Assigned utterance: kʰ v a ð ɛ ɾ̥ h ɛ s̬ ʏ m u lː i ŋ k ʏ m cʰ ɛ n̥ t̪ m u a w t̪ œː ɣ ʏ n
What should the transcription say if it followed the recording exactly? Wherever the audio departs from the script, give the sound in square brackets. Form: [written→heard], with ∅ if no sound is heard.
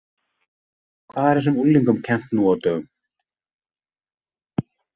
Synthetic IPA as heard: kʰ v a ð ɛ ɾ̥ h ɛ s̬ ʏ m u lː i ŋ k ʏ m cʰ ɛ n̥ t̪ [m→n] u a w t̪ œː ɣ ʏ [n→m]